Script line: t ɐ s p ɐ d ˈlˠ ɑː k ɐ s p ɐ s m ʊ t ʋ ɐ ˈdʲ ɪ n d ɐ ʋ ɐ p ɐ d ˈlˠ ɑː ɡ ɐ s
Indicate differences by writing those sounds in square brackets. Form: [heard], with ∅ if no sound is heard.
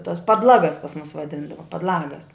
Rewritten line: t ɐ s p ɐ d ˈlˠ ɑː [ɡ] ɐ s p ɐ s m ʊ [s] ʋ ɐ ˈdʲ ɪ n d ɐ ʋ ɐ p ɐ d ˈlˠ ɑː ɡ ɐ s

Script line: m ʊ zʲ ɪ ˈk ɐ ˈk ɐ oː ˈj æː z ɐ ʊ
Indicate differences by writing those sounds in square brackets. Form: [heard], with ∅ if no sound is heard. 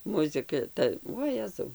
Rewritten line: m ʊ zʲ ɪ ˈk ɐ [ˈt] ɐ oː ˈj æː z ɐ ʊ

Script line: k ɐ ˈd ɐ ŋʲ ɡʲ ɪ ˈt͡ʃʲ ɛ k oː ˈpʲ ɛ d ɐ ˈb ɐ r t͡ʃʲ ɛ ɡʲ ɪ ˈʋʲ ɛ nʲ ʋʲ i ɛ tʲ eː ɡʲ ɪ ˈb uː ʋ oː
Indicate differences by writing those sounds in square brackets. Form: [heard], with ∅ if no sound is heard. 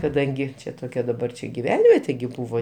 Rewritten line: k ɐ ˈd ɐ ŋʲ ɡʲ ɪ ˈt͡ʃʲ ɛ [t] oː [ˈkʲ] ɛ d ɐ ˈb ɐ r t͡ʃʲ ɛ ɡʲ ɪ ˈʋʲ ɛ nʲ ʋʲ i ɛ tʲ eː ɡʲ ɪ ˈb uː ʋ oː

